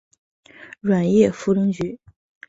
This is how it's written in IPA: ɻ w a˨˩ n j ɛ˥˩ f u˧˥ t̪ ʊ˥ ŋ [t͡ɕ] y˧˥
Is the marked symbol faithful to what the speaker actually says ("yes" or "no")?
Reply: yes